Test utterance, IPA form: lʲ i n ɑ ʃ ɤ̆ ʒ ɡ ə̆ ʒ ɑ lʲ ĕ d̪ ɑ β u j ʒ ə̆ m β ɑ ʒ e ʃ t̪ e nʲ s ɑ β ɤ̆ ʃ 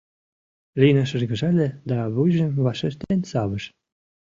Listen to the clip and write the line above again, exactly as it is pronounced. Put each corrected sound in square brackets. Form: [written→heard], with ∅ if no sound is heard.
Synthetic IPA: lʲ i n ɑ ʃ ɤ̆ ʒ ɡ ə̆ ʒ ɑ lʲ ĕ d̪ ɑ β u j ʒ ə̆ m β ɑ [ʒ→ʃ] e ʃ t̪ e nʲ s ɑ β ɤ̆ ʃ